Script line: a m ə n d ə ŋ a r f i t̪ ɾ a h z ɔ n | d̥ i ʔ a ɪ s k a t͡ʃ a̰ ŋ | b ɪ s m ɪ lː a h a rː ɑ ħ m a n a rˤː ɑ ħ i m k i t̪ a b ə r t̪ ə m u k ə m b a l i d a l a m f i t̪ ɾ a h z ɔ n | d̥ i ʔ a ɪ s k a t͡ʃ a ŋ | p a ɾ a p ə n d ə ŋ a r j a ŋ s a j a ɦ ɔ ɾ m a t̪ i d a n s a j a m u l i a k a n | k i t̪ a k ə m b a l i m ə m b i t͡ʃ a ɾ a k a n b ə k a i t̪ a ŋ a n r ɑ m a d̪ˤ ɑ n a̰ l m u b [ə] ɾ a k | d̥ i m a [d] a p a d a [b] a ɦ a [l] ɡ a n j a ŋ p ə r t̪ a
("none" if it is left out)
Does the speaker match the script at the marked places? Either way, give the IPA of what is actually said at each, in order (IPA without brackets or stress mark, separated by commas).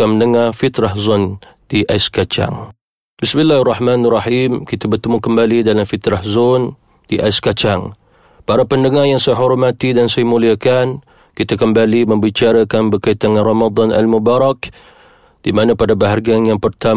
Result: a, n, b, r